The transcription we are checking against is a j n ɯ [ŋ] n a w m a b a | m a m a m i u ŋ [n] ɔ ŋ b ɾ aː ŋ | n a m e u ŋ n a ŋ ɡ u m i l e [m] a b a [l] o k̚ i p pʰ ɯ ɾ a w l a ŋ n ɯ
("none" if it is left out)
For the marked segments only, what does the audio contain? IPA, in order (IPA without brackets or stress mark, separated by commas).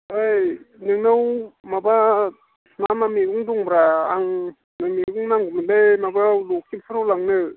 ŋ, d, m, l